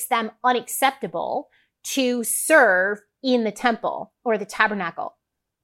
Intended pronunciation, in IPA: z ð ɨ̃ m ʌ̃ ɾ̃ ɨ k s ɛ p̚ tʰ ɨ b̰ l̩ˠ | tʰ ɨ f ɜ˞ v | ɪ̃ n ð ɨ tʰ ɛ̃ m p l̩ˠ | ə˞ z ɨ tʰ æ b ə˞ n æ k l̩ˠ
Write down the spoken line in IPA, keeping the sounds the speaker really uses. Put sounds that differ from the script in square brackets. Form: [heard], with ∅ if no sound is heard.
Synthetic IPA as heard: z ð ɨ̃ m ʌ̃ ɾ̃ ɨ k s ɛ p̚ [t] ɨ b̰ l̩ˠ | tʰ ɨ [s] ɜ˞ v | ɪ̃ n ð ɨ tʰ ɛ̃ m p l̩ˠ | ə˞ [ð] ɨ tʰ æ b ə˞ n æ k l̩ˠ